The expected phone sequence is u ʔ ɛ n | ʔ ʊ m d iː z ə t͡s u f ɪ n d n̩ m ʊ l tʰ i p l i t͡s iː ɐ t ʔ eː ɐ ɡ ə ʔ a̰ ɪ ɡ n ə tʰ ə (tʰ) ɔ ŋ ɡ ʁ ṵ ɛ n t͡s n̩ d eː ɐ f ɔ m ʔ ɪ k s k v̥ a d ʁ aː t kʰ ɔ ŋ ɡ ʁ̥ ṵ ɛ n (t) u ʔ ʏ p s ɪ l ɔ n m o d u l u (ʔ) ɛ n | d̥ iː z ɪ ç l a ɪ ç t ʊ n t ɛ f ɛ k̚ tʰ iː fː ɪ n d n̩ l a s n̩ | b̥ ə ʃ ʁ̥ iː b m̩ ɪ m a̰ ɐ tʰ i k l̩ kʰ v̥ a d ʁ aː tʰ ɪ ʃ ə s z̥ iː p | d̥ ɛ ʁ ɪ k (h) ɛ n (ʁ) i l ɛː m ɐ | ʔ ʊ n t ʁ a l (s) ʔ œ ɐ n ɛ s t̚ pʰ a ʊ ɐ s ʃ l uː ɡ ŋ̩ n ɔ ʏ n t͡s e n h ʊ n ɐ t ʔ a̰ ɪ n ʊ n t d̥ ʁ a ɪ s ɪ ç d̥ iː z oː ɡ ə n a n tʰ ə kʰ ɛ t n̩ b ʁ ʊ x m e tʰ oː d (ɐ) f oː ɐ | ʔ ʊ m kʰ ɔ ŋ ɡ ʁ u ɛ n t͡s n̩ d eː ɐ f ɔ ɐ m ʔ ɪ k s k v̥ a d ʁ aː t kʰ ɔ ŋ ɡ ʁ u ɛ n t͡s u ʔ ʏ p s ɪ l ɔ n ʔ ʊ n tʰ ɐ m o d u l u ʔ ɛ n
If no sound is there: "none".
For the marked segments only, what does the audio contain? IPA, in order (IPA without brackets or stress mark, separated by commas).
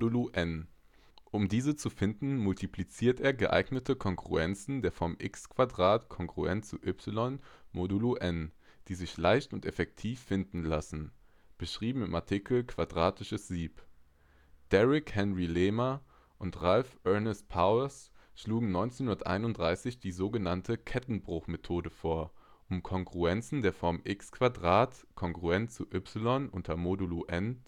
kʰ, t͡s, ʔ, h, ʁ, f, ə